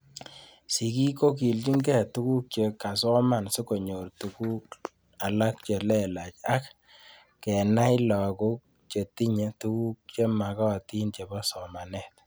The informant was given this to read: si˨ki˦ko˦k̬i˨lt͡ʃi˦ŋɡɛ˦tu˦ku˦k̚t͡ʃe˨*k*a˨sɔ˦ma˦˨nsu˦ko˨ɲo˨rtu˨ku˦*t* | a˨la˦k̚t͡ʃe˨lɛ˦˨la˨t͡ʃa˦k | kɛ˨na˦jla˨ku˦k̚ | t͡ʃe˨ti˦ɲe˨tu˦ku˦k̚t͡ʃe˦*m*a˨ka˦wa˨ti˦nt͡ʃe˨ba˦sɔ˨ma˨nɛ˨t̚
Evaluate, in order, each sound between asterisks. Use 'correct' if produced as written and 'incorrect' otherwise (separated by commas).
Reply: correct, incorrect, correct